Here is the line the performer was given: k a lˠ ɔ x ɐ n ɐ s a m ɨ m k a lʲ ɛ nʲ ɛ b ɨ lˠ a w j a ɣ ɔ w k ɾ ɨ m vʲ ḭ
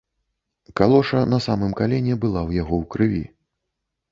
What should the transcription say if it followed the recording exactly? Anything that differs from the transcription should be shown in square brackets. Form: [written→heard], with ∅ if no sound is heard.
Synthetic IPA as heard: k a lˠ ɔ [x→ʂ] ɐ n ɐ s a m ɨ m k a lʲ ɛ nʲ ɛ b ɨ lˠ a w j a ɣ ɔ w k ɾ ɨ [m→∅] vʲ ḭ